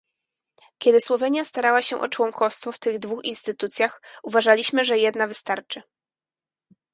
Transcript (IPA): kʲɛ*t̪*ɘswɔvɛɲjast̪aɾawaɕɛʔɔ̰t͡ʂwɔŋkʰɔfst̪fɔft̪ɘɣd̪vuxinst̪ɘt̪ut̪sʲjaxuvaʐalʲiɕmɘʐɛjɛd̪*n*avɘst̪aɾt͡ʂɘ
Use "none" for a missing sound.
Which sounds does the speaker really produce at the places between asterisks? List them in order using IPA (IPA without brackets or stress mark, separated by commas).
d̪, n